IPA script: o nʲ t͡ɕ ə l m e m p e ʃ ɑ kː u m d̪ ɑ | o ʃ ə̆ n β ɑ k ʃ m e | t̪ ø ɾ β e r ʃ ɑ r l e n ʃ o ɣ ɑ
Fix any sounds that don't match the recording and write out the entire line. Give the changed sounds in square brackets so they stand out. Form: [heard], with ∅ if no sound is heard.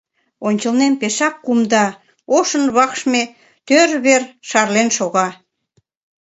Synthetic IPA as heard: o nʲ t͡ɕ ə l [n] e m p e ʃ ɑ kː u m d̪ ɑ | o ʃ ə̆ n β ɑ k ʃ m e | t̪ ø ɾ β e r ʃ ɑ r l e n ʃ o ɣ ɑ